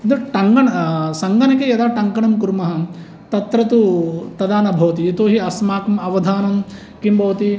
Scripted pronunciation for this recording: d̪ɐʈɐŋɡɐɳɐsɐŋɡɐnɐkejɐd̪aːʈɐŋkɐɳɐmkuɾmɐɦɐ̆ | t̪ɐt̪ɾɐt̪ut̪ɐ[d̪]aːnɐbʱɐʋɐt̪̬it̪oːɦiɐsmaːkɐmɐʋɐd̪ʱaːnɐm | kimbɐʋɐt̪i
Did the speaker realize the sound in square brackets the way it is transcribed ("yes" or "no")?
yes